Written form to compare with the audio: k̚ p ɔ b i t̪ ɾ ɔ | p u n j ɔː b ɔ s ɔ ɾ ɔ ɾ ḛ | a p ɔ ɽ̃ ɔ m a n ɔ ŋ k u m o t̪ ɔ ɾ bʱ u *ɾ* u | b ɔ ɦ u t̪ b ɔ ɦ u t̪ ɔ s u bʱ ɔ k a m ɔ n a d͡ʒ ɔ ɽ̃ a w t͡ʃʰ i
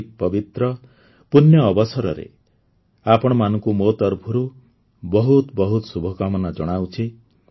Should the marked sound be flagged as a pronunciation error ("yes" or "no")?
no